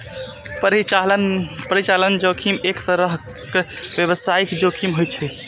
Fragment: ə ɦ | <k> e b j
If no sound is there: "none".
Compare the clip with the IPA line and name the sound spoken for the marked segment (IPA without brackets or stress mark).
k